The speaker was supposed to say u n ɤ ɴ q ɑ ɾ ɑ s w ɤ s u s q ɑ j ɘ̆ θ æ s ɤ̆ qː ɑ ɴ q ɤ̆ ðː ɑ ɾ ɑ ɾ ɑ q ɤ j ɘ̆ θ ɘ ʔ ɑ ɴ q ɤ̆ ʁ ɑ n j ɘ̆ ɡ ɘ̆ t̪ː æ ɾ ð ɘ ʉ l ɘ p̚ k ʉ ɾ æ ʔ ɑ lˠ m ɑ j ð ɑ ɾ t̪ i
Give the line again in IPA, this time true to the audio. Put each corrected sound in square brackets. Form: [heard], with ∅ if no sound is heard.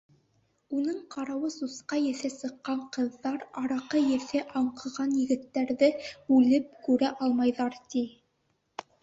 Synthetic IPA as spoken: u n ɤ ɴ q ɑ ɾ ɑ [∅] w ɤ s u s q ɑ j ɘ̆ θ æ s ɤ̆ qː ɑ ɴ q ɤ̆ ðː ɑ ɾ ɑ ɾ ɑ q ɤ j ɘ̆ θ ɘ ʔ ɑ ɴ q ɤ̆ ʁ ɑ n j ɘ̆ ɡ ɘ̆ t̪ː æ ɾ ð ɘ ʉ l ɘ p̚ k ʉ ɾ æ ʔ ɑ lˠ m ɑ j ð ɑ ɾ t̪ i